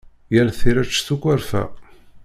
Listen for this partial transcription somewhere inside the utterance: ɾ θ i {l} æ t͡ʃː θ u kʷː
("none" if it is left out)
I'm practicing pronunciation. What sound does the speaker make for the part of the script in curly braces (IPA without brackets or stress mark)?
ɾ